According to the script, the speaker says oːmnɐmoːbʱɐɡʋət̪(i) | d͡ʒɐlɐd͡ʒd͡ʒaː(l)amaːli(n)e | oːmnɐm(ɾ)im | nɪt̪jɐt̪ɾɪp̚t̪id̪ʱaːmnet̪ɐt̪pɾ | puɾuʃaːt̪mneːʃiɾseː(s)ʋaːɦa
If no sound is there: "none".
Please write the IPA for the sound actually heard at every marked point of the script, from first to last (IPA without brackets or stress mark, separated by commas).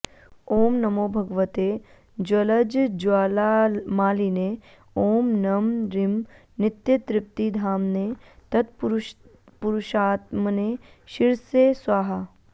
e, l, n, ɾ, s